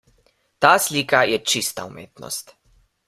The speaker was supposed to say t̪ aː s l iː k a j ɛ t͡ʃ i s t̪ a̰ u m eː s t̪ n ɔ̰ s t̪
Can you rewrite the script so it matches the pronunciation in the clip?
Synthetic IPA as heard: t̪ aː s l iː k a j ɛ t͡ʃ i s t̪ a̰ u m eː t̪ n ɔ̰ s t̪